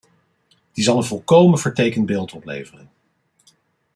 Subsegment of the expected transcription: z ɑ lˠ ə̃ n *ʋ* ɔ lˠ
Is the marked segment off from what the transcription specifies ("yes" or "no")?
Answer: yes